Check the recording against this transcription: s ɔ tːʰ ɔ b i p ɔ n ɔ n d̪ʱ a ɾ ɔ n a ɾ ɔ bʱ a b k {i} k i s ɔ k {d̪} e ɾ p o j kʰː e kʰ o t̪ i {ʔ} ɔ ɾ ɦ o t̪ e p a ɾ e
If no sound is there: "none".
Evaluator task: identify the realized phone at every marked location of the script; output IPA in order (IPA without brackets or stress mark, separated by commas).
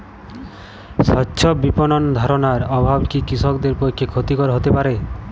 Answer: i, d̪, k